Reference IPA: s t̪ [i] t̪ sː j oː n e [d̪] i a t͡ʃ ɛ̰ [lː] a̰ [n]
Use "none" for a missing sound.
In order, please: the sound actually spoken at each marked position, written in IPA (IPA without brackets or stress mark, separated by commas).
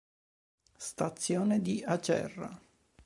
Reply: a, d̪, rː, none